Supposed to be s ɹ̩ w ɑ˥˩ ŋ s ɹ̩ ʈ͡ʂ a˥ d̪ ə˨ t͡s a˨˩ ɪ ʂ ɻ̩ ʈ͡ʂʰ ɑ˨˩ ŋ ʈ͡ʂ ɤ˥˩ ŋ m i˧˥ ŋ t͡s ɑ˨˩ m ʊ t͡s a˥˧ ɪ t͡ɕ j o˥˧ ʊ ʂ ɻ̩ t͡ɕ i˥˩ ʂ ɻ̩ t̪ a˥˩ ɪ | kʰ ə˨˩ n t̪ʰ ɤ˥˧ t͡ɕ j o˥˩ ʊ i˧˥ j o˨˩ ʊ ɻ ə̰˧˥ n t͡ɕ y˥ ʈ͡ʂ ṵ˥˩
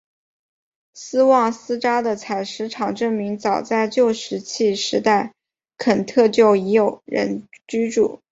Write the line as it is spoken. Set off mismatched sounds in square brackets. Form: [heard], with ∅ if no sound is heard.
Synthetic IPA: s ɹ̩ w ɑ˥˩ ŋ s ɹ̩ ʈ͡ʂ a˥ d̪ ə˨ [t͡sʰ] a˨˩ ɪ ʂ ɻ̩ ʈ͡ʂʰ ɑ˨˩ ŋ ʈ͡ʂ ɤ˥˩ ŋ m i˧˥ ŋ t͡s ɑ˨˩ [∅] ʊ t͡s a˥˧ ɪ t͡ɕ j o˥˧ ʊ ʂ ɻ̩ [t͡ɕʰ] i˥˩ ʂ ɻ̩ t̪ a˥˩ ɪ | kʰ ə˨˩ n t̪ʰ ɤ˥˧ t͡ɕ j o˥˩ ʊ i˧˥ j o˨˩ ʊ ɻ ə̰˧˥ n t͡ɕ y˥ ʈ͡ʂ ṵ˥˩